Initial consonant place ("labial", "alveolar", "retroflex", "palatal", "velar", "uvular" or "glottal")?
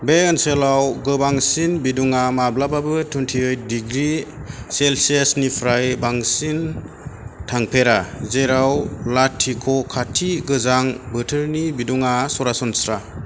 labial